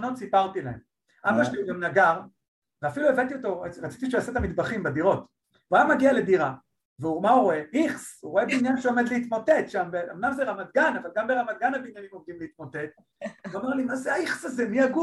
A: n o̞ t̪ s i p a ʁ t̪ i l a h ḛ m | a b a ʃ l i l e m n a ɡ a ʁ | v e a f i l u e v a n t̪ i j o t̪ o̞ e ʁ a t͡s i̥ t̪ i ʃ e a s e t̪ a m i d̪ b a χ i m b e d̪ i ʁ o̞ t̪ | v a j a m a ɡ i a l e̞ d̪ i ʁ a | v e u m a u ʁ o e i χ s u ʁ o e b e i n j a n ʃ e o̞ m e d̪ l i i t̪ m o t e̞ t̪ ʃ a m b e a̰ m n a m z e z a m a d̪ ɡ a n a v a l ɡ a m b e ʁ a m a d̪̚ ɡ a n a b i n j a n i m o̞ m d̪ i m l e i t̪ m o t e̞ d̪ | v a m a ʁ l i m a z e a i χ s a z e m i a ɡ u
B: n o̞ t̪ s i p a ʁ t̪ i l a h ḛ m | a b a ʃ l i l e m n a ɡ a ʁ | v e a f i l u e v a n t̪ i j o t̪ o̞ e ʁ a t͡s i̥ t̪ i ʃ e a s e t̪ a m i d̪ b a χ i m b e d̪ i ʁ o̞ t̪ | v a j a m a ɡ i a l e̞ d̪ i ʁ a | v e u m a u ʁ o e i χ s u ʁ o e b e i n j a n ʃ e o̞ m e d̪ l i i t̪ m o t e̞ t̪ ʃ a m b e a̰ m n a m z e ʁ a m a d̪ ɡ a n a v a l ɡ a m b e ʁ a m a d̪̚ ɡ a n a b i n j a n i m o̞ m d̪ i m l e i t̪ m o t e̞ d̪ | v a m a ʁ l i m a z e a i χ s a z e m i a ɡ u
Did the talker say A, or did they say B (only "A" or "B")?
B